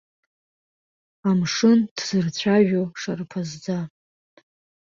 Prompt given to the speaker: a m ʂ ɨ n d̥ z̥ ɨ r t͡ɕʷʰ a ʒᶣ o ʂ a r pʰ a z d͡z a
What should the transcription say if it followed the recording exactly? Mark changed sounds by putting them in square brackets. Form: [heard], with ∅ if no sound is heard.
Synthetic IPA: a m ʂ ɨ n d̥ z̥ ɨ r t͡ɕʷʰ a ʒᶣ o ʂ a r pʰ a z d͡z a